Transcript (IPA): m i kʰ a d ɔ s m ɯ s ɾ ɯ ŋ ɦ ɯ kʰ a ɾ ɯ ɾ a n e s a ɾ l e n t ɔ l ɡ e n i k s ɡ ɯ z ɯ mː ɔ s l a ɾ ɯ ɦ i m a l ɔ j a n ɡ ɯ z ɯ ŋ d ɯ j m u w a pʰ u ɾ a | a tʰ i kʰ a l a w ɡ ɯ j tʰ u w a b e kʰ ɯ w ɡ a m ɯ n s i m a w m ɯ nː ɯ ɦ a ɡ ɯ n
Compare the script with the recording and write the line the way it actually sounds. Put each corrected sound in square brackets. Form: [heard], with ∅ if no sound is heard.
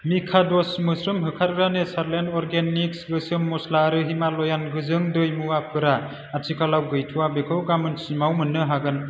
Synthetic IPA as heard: m i kʰ a d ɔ s m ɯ s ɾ ɯ [m] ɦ ɯ kʰ a ɾ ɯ ɾ a n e s a ɾ l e n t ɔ [ɾ] ɡ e n i k s ɡ ɯ [s] ɯ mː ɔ s l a ɾ ɯ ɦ i m a l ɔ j a n ɡ ɯ z ɯ ŋ d ɯ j m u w a pʰ [ɯ] ɾ a | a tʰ i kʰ a l a w ɡ ɯ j tʰ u w a b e kʰ ɯ w ɡ a m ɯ n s i m a w m ɯ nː ɯ ɦ a ɡ ɯ n